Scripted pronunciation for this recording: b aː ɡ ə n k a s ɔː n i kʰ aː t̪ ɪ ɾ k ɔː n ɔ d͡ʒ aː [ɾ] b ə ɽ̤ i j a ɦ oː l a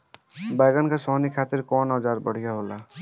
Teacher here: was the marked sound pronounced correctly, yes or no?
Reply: yes